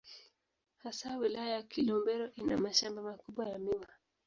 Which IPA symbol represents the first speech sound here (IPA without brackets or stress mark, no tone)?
h